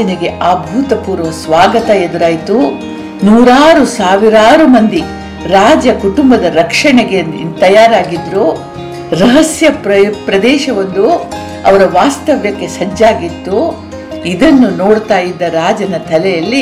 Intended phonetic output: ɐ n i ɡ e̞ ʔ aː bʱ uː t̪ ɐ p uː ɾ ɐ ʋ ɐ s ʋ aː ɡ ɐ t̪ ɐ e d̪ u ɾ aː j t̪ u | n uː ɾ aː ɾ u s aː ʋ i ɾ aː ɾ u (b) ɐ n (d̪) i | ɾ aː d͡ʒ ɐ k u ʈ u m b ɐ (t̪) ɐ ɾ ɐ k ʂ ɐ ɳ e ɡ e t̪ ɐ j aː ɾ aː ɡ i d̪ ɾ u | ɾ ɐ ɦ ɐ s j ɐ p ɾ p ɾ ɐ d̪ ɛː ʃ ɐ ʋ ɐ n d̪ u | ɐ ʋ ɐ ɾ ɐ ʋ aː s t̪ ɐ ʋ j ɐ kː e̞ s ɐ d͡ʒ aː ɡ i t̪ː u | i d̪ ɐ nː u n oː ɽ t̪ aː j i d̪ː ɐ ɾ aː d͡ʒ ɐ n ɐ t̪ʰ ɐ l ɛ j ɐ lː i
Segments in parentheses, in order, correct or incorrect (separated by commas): incorrect, correct, incorrect